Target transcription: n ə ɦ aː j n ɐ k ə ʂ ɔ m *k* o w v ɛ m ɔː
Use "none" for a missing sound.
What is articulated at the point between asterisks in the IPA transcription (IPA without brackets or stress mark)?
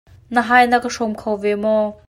kʰ